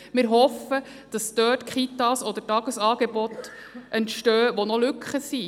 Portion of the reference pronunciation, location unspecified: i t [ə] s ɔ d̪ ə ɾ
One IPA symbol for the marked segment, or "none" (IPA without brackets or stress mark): ɑ